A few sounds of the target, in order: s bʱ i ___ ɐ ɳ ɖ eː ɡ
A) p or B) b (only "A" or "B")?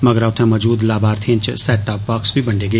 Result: B